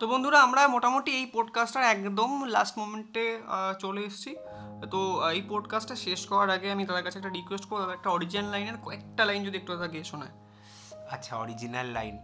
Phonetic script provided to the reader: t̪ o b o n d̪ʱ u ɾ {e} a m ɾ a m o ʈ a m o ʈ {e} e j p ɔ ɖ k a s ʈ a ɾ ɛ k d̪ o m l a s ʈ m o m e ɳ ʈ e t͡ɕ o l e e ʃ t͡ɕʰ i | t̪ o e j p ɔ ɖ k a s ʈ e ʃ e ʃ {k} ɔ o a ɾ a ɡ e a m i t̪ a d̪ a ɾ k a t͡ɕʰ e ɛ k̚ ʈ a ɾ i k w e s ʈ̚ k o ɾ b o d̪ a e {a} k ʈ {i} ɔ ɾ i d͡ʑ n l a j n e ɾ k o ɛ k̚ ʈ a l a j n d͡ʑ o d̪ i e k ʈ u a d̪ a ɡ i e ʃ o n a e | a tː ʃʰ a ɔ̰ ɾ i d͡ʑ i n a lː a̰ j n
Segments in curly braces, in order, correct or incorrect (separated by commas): incorrect, incorrect, correct, incorrect, incorrect